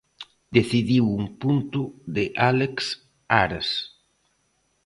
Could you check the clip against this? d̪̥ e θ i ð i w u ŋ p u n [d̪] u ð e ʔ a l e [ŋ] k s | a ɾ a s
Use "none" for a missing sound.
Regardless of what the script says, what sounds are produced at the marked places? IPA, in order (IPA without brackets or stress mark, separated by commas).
t̪, none